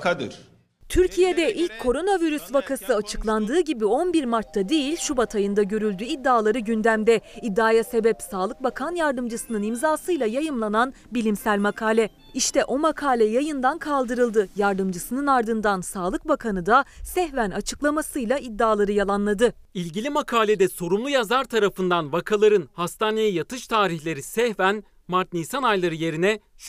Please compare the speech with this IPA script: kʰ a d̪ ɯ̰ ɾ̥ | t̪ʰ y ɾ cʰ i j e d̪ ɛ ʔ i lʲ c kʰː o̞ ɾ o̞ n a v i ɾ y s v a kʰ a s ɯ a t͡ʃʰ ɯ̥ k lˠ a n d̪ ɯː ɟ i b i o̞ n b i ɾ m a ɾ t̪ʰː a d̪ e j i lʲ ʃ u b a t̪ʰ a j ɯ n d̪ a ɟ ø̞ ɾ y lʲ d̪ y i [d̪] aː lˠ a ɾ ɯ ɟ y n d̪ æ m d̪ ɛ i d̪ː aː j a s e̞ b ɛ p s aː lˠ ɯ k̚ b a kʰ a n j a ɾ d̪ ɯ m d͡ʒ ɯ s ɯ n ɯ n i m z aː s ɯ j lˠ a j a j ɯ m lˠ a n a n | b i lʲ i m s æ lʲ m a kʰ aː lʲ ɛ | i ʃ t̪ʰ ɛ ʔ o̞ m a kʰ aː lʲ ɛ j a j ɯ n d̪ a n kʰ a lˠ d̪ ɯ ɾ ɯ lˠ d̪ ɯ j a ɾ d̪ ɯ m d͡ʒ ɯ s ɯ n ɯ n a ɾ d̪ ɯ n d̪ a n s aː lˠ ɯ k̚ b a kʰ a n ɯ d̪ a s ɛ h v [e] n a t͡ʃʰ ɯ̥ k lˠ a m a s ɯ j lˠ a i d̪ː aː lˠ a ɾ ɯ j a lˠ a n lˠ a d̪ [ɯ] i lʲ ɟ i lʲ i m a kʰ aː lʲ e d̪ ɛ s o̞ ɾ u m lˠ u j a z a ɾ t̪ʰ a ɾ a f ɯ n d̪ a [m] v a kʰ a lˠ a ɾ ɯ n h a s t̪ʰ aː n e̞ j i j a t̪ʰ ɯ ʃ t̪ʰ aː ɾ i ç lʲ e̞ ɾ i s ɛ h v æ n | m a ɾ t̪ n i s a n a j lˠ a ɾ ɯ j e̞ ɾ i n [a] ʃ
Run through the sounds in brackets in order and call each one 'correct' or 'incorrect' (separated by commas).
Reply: incorrect, incorrect, correct, incorrect, incorrect